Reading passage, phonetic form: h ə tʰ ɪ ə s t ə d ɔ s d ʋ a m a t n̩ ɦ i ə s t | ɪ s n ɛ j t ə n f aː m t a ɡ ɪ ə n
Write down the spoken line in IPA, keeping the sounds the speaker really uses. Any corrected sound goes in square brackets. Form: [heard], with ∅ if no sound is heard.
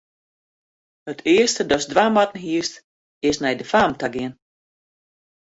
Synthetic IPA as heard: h ə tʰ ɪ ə s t ə d ɔ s d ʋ a m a t n̩ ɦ i ə s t | ɪ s n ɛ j [d] ə [∅] f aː m t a ɡ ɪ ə n